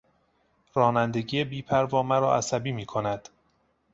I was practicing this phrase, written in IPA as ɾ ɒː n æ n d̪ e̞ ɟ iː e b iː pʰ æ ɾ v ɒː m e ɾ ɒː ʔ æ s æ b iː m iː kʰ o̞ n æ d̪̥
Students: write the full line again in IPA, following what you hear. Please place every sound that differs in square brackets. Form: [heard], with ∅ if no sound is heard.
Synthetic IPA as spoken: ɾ ɒː n æ n d̪ e̞ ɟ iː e b iː pʰ æ ɾ v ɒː m [æ] ɾ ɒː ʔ æ s æ b iː m iː kʰ o̞ n æ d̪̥